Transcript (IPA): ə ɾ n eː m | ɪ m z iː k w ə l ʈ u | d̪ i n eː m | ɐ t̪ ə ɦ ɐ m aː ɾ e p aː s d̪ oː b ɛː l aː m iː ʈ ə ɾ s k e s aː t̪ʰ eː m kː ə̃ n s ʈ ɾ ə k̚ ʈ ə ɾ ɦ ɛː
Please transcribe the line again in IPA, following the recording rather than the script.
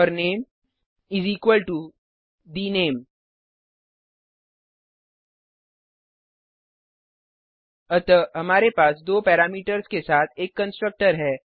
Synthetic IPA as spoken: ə ɾ n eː m | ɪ z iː k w ə l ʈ u | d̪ i n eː m | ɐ t̪ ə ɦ ɐ m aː ɾ e p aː s d̪ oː p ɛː ɾ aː m iː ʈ ə ɾ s k e s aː t̪ʰ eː kː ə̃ n s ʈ ɾ ə k̚ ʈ ə ɾ ɦ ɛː